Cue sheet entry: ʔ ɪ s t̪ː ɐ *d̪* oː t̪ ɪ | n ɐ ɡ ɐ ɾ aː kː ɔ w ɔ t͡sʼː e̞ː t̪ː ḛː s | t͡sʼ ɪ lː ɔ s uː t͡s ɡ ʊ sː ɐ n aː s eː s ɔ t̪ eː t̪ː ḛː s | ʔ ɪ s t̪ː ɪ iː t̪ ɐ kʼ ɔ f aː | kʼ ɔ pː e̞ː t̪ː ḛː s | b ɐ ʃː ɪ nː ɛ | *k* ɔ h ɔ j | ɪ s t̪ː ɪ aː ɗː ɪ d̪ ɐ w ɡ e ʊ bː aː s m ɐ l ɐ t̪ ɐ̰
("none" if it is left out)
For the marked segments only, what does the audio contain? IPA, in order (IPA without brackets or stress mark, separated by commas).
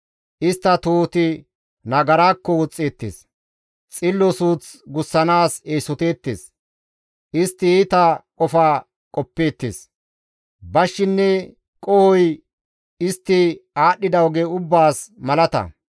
t̪, kʼ